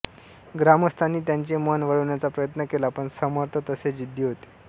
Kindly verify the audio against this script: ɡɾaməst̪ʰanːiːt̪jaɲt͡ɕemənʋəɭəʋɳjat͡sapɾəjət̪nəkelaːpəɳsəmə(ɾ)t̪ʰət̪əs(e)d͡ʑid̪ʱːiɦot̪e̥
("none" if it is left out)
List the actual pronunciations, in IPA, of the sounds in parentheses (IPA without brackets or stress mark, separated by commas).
ɾ, e